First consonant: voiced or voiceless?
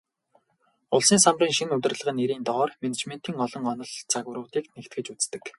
voiced